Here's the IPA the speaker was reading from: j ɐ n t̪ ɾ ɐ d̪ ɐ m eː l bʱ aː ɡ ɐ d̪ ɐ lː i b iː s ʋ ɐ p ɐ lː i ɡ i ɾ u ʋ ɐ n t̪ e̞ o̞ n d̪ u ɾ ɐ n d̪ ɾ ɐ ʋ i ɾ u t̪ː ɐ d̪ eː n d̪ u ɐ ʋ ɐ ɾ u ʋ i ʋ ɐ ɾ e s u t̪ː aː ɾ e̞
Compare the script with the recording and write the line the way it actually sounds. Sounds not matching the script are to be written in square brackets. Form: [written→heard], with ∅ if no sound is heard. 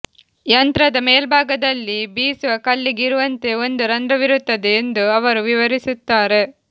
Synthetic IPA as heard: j ɐ n t̪ ɾ ɐ d̪ ɐ m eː l bʱ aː ɡ ɐ d̪ ɐ lː i b iː s ʋ ɐ [p→k] ɐ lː i ɡ i ɾ u ʋ ɐ n t̪ e̞ o̞ n d̪ u ɾ ɐ n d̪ ɾ ɐ ʋ i ɾ u t̪ː ɐ d̪ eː n d̪ u ɐ ʋ ɐ ɾ u ʋ i ʋ ɐ ɾ [e→i] s u t̪ː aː ɾ e̞